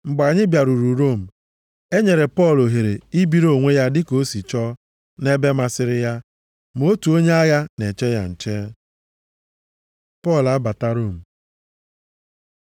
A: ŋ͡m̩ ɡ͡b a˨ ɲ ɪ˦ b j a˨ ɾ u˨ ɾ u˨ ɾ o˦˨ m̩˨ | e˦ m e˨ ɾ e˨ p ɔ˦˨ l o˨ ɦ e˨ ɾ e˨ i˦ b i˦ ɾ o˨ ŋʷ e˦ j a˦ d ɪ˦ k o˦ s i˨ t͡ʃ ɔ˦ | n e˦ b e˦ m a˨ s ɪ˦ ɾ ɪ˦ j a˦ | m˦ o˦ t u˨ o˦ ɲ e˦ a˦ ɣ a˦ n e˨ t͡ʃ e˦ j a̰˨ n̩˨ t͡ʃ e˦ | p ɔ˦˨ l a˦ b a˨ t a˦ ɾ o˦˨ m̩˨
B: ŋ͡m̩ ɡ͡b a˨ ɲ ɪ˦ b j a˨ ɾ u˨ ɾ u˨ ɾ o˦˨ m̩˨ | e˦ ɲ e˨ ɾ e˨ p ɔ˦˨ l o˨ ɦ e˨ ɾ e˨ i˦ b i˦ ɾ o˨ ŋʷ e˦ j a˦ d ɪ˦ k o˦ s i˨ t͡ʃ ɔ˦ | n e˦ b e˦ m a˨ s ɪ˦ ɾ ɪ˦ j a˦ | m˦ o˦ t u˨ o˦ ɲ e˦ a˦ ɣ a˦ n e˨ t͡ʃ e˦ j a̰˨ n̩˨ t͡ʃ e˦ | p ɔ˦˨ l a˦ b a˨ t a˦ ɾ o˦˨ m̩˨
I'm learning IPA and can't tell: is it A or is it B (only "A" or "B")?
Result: B